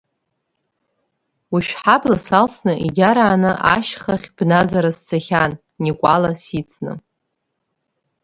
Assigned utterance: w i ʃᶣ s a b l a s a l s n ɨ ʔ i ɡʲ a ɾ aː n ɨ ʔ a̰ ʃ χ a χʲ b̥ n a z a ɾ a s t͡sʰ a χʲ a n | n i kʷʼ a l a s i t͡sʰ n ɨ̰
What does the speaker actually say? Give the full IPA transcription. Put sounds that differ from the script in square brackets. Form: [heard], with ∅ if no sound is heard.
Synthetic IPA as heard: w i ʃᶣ [ħ] a b l a s a l s n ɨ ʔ i ɡʲ a ɾ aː n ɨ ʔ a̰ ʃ χ a χʲ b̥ n a z a ɾ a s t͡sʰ a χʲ a n | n i kʷʼ a l a s i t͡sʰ n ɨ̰

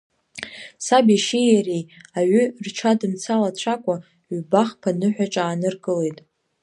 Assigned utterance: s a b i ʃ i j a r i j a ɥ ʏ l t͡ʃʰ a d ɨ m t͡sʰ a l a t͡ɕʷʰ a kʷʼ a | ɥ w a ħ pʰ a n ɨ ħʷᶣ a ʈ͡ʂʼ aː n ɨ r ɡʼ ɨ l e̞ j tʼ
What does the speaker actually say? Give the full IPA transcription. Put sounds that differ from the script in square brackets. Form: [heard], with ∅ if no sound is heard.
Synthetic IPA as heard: s a b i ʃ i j a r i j a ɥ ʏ [r] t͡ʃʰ a d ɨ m t͡sʰ a l a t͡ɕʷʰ a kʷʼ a | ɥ [b] a [χ] pʰ a n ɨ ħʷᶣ a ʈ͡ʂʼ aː n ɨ r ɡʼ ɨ l e̞ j tʼ

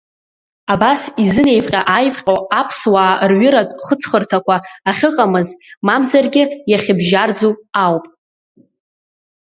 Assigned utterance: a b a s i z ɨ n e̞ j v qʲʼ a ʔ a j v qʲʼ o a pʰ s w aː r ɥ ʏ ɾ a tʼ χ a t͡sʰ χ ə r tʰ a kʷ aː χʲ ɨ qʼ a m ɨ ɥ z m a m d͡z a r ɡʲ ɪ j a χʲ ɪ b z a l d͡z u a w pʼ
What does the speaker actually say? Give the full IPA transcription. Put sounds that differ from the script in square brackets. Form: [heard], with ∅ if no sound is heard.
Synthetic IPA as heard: a b a s i z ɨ n e̞ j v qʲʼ a ʔ a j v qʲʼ o a pʰ s w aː r ɥ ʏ ɾ a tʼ χ [ə] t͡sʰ χ ə r tʰ a kʷ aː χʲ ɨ qʼ a m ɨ [∅] z m a m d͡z a r ɡʲ ɪ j a χʲ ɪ b [ʒ] a [r] d͡z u a w pʼ

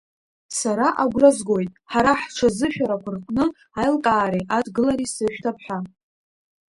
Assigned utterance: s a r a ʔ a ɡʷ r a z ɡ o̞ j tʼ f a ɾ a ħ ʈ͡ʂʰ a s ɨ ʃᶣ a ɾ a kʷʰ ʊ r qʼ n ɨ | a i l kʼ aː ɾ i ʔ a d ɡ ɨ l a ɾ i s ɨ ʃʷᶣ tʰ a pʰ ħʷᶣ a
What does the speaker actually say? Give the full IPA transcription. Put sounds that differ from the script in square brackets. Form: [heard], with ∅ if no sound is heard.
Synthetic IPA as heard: s a [ɾ] a ʔ a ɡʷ r a z ɡ o̞ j tʼ [ħ] a ɾ a ħ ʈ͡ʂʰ a [z] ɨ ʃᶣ a ɾ a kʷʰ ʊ r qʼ n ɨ | a [j] l kʼ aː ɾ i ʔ a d ɡ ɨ l a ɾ i s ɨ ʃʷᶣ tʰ a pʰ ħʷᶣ a

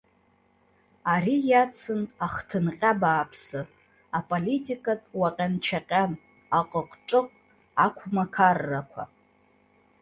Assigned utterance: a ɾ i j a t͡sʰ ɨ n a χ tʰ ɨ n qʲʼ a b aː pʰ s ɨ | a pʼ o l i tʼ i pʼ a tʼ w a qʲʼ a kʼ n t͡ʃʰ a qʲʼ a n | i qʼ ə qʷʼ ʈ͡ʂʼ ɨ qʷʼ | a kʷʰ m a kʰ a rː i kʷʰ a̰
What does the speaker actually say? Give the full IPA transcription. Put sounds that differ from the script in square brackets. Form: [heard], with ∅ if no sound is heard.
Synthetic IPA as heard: a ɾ i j a t͡sʰ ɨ n a χ tʰ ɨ n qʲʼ a b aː pʰ s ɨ | a pʼ o l i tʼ i [kʼ] a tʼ w a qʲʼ a [∅] n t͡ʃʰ a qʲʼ a n | [a] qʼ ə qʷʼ ʈ͡ʂʼ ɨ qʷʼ | a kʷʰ m a kʰ a rː [a] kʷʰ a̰

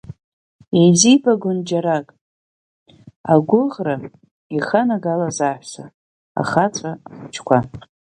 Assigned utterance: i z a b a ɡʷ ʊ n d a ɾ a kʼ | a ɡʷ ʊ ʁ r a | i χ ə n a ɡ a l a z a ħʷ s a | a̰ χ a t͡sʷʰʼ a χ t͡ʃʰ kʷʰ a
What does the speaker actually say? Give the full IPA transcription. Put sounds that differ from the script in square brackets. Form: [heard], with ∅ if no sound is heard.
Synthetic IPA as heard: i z [i] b a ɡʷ ʊ n [d͡ʒ] a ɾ a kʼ | a ɡʷ ʊ ʁ r a | i χ [a] n a ɡ a l a z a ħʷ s a | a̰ χ a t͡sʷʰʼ a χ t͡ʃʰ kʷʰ a

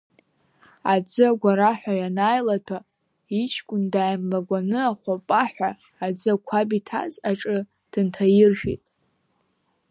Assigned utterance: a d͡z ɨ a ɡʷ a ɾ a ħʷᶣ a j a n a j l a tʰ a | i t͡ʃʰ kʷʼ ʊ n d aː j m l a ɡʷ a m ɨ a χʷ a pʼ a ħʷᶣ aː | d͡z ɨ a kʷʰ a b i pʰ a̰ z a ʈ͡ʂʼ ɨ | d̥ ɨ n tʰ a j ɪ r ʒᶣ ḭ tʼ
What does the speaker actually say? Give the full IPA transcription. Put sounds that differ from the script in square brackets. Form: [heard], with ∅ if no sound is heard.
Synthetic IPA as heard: a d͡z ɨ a ɡʷ a ɾ a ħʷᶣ a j a n a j l a tʰ a | i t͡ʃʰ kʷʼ ʊ n d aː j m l a ɡʷ a [n] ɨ a χʷ a pʼ a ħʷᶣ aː | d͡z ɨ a kʷʰ a b i [tʰ] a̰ z a ʈ͡ʂʼ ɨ | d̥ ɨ n tʰ a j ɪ r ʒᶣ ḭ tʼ

